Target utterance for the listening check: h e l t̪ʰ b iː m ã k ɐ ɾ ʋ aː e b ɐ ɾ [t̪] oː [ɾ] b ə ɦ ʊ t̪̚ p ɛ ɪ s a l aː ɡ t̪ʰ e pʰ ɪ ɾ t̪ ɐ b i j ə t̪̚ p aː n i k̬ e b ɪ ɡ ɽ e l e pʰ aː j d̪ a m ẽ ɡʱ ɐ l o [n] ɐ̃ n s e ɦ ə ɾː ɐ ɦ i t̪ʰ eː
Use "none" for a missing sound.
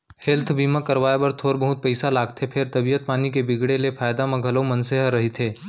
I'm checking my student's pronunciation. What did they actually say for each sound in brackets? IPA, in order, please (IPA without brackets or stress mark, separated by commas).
t̪ʰ, ɾ, m